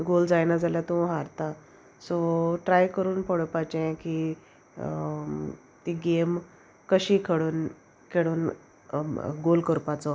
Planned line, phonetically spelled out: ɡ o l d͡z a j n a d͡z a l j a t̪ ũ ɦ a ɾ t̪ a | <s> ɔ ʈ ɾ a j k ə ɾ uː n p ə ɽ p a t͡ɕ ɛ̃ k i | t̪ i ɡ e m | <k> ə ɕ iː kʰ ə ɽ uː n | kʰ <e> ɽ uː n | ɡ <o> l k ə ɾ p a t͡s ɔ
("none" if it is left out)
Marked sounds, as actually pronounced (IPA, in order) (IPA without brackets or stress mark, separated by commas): s, k, e, o